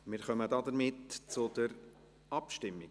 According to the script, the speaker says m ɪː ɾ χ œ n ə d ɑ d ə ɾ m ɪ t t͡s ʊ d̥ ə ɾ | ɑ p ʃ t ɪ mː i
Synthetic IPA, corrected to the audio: m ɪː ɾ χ œ m ə d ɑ d ə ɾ m ɪ t t͡s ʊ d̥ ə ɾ | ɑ p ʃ t ɪ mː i